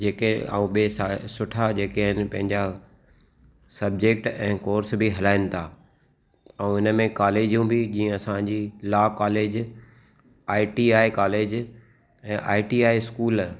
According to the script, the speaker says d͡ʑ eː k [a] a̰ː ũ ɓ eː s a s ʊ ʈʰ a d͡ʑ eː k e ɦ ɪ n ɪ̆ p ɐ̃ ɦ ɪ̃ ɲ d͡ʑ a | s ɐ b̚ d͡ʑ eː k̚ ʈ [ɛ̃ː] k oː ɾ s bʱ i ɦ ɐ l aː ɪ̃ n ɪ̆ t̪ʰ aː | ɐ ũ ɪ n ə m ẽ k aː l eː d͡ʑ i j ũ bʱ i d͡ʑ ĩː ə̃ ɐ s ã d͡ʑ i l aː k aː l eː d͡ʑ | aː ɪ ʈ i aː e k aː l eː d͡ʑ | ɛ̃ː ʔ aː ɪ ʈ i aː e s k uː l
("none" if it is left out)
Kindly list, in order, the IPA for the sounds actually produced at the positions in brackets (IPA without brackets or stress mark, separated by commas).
e, ɛ̃ː